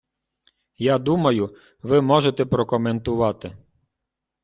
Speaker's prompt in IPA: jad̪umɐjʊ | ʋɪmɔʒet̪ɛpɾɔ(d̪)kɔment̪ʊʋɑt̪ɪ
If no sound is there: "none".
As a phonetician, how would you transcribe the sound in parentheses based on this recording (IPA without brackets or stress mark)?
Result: none